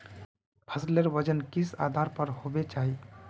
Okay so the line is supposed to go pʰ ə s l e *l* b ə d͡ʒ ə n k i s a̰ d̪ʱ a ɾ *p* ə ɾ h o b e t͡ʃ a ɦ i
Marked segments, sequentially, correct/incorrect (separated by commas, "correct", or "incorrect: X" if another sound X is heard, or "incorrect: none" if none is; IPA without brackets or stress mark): incorrect: ɾ, correct